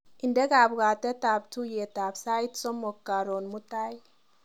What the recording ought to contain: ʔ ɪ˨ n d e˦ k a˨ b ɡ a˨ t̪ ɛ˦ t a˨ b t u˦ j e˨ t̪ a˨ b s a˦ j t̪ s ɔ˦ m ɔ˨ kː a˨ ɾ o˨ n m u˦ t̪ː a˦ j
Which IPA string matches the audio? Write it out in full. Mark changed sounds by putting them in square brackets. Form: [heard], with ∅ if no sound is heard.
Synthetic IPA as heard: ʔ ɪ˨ n d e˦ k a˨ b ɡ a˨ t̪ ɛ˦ t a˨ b t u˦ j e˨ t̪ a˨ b s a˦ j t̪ s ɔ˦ m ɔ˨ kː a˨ ɾ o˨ n m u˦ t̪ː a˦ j

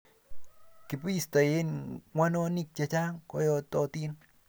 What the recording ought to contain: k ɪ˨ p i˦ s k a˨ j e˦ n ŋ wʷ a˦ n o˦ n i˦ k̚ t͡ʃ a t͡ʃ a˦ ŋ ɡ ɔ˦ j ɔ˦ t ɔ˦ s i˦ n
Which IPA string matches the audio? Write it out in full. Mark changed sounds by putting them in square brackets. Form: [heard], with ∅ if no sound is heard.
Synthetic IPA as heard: k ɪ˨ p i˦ s [t] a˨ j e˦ n ŋ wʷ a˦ n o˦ n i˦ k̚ t͡ʃ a t͡ʃ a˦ ŋ [k] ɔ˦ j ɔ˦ t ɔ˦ [t] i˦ n

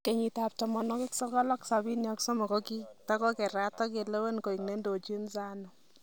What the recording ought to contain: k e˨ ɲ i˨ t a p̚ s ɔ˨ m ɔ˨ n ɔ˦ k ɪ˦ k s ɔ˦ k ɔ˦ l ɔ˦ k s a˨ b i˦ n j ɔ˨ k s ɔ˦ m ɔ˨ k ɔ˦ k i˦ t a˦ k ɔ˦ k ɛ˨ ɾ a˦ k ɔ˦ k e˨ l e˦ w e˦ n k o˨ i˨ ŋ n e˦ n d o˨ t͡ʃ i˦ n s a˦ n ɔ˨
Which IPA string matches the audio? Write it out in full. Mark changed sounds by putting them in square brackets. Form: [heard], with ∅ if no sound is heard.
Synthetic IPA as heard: k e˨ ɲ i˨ t a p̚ [t] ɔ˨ m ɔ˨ n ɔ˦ k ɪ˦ k s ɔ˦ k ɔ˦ l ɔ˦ k s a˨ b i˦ n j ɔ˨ k s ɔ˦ m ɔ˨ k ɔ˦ k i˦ t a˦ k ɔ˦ k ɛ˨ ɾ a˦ [t] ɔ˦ k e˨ l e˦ w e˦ n k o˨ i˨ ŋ n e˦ n d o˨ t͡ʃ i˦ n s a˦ n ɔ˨

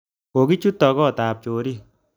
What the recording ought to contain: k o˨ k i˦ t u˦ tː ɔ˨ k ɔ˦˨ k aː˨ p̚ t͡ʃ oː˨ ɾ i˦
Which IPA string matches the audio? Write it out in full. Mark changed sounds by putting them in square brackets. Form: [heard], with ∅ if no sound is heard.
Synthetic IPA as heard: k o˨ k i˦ [t͡ʃ] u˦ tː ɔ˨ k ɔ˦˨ [t] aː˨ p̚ t͡ʃ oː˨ ɾ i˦

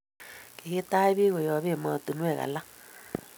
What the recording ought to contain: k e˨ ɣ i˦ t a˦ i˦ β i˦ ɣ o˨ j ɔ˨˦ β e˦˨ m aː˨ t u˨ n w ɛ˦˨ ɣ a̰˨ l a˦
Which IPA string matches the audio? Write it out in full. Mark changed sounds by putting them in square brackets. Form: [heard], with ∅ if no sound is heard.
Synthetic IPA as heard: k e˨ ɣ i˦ t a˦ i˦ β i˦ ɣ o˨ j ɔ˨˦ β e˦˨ m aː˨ t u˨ n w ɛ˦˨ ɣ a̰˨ l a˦

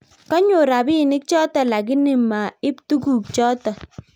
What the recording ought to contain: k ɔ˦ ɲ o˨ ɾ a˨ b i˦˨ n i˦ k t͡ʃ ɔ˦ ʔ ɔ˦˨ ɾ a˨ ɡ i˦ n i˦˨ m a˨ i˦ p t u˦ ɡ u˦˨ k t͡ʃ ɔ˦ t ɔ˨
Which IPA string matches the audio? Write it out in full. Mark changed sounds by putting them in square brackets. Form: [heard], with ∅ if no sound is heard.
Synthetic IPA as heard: k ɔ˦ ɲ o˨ ɾ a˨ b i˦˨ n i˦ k t͡ʃ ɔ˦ [t] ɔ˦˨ [l] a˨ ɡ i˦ n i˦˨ m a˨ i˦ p t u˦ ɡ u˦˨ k t͡ʃ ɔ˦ t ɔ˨

